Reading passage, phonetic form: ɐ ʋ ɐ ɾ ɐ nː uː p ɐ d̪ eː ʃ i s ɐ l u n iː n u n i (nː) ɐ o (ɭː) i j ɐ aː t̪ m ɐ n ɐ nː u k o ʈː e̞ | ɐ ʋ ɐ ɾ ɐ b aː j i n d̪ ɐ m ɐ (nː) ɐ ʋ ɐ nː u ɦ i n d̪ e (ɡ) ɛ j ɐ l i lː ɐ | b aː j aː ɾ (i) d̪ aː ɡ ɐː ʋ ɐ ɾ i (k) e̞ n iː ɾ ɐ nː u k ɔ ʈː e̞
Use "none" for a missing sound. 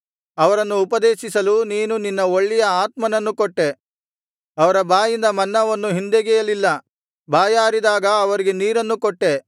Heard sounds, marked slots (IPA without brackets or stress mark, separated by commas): nː, ɭː, nː, ɡ, i, ɡ